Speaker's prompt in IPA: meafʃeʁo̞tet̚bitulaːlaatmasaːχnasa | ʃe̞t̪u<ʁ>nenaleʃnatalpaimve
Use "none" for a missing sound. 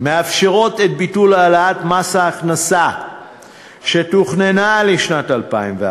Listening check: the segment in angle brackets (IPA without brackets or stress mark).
χ